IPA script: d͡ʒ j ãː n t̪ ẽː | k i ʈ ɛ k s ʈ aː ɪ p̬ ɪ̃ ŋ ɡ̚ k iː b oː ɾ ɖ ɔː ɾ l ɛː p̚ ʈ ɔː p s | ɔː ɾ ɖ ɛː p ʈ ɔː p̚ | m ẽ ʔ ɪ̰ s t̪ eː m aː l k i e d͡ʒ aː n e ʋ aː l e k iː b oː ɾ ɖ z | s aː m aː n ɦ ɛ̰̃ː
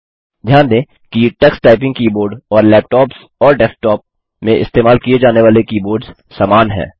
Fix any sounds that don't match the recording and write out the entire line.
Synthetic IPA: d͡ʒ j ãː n d̪ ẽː | k i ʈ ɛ k s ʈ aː ɪ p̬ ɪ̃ ŋ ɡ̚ k iː b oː ɾ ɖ ɔː ɾ l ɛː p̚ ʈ ɔː p s | ɔː ɾ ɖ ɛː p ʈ ɔː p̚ | m ẽ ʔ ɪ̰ s t̪ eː m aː l k i e d͡ʒ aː n e ʋ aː l e k iː b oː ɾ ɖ z | s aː m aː n ɦ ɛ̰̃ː